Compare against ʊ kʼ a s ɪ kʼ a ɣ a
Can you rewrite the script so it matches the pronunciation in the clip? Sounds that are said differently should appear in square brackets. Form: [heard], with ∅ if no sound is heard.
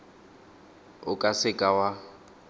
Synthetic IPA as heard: ʊ kʼ a s ɪ kʼ a [w] a